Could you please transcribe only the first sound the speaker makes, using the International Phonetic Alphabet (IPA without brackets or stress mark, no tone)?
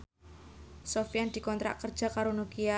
s